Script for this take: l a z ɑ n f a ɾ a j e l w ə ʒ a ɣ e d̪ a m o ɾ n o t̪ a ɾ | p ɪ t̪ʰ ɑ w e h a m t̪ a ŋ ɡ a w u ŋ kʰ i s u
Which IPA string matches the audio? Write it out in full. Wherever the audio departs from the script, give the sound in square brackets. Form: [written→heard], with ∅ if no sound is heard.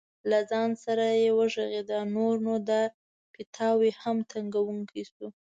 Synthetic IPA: l a z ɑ n [f→s] a ɾ a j e [l→∅] w ə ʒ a ɣ e d̪ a [m→n] o ɾ n o [t̪→d̪] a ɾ | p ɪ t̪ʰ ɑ w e h a m t̪ a ŋ ɡ a w u ŋ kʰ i s u